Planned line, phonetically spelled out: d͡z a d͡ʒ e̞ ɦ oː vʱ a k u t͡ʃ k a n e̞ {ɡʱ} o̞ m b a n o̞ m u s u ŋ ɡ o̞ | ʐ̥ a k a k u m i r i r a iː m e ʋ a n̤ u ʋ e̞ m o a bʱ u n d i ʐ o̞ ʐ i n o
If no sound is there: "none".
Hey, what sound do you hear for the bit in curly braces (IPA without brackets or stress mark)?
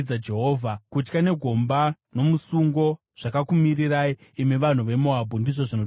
ɡʱ